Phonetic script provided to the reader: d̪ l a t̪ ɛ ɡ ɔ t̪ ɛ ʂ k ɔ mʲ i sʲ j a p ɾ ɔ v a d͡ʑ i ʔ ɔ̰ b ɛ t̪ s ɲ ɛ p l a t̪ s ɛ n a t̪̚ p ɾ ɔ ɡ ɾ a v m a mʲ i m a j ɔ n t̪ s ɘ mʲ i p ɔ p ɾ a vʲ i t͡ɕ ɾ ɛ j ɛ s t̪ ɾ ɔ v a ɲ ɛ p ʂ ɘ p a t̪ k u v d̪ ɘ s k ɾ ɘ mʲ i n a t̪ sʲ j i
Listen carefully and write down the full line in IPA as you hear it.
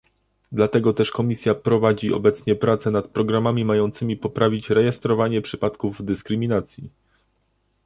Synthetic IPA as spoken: d̪ l a t̪ ɛ ɡ ɔ t̪ ɛ ʂ k ɔ mʲ i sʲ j a p ɾ ɔ v a d͡ʑ i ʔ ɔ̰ b ɛ t̪ s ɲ ɛ p ɾ a t̪ s ɛ n a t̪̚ p ɾ ɔ ɡ ɾ a m a mʲ i m a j ɔ n t̪ s ɘ mʲ i p ɔ p ɾ a vʲ i t͡ɕ ɾ ɛ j ɛ s t̪ ɾ ɔ v a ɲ ɛ p ʂ ɘ p a t̪ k u v d̪ ɘ s k ɾ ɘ mʲ i n a t̪ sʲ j i

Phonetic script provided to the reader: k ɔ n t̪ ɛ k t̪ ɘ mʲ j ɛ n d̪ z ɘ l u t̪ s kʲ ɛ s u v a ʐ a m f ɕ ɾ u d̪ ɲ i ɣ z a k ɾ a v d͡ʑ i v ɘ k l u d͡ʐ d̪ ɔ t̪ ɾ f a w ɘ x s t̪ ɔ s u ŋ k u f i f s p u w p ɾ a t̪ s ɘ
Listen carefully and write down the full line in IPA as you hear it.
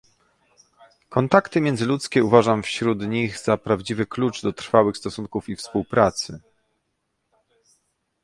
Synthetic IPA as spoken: k ɔ n t̪ a k t̪ ɘ mʲ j ɛ n d̪ z ɘ l u t̪ s kʲ ɛ u v a ʐ a m f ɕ ɾ u d̪ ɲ i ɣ z a p ɾ a v d͡ʑ i v ɘ k l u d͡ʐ d̪ ɔ t̪ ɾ f a w ɘ x s t̪ ɔ s u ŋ k u f i f s p u w p ɾ a t̪ s ɘ

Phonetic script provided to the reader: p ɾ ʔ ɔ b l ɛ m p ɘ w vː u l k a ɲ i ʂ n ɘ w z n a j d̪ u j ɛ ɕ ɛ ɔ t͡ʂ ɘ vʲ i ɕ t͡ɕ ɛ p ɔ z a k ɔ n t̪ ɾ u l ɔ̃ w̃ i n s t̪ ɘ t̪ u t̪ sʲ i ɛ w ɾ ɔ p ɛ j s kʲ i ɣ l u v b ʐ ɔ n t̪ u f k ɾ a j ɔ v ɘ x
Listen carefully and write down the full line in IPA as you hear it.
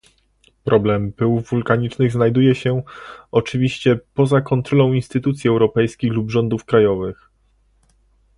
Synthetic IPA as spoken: p ɾ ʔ ɔ b l ɛ m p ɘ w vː u l k a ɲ i t͡ʂ n ɘ ɣ z n a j d̪ u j ɛ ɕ ɛ ɔ t͡ʂ ɘ vʲ i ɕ t͡ɕ ɛ p ɔ z a k ɔ n t̪ ɾ ɔ l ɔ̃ w̃ i n s t̪ ɘ t̪ u t̪ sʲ i ɛ w ɾ ɔ p ɛ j s kʲ i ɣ l u b ʐ ɔ n d̪ u f k ɾ a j ɔ v ɘ x

